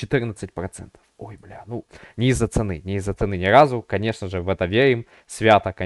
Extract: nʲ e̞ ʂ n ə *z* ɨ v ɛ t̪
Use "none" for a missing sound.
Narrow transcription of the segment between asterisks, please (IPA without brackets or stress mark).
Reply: ʐ